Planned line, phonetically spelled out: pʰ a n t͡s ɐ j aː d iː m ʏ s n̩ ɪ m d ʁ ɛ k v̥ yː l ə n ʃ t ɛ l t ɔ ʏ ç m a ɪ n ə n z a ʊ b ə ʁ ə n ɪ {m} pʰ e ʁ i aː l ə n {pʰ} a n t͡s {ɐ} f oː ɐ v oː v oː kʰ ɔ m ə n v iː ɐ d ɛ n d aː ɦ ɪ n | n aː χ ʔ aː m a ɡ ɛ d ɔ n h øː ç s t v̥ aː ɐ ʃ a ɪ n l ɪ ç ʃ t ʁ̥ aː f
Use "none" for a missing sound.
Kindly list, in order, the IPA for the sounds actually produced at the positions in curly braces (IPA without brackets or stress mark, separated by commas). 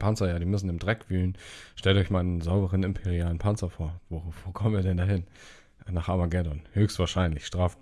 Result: m, pʰ, ɐ